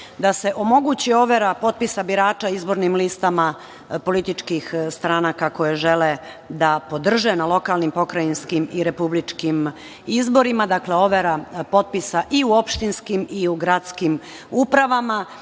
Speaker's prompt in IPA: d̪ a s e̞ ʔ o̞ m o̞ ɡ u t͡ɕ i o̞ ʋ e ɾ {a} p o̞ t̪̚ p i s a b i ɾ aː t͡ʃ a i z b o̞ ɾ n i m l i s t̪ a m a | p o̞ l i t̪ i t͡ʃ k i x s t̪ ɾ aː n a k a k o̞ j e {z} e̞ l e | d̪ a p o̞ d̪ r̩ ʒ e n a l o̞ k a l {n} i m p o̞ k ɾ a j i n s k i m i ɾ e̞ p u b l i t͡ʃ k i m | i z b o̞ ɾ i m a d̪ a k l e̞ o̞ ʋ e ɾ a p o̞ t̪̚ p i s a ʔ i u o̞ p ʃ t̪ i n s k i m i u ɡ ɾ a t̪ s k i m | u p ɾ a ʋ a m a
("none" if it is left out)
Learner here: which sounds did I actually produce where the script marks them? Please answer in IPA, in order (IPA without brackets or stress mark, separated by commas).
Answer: a, ʒ, n